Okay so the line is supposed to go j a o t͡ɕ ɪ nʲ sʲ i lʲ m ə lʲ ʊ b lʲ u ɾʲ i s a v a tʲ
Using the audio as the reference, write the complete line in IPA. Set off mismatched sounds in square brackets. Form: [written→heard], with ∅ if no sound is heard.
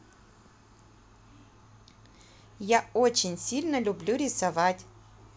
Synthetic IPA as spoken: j a o t͡ɕ ɪ nʲ sʲ i lʲ [m→n] ə lʲ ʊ b lʲ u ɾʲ [i→ɪ] s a v a tʲ